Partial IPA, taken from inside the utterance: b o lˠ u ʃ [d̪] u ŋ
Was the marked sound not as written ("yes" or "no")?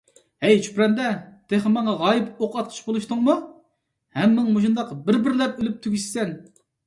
yes